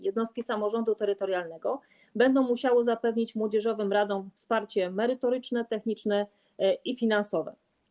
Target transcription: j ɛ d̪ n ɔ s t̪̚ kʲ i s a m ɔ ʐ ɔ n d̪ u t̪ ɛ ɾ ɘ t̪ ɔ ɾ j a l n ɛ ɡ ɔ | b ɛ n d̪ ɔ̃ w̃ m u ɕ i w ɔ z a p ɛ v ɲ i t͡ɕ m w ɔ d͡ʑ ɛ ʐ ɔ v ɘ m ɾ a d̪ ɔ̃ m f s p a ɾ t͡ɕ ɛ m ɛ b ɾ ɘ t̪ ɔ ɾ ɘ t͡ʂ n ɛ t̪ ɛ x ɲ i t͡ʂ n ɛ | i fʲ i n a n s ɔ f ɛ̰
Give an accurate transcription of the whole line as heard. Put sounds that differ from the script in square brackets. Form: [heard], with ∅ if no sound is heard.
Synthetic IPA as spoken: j ɛ d̪ n ɔ s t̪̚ kʲ i s a m ɔ ʐ ɔ n d̪ u t̪ ɛ ɾ ɘ t̪ ɔ ɾ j a l n ɛ ɡ ɔ | b ɛ n d̪ ɔ̃ w̃ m u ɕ [a] w ɔ z a p ɛ v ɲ i t͡ɕ m w ɔ d͡ʑ ɛ ʐ ɔ v ɘ m ɾ a d̪ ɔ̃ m f s p a ɾ t͡ɕ ɛ m ɛ [∅] ɾ ɘ t̪ ɔ ɾ ɘ t͡ʂ n ɛ t̪ ɛ x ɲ i t͡ʂ n ɛ | i fʲ i n a n s ɔ [v] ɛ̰